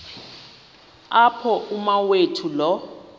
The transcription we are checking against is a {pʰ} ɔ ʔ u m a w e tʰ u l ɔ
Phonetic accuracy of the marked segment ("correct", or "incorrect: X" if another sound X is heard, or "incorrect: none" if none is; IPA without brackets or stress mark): correct